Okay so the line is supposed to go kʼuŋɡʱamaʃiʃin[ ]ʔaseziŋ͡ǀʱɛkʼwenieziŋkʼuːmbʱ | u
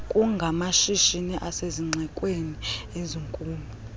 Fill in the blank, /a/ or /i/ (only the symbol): i